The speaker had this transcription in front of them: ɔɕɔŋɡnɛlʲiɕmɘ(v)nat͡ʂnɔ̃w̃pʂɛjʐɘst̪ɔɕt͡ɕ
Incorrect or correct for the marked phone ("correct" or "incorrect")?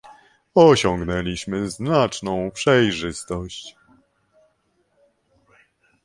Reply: incorrect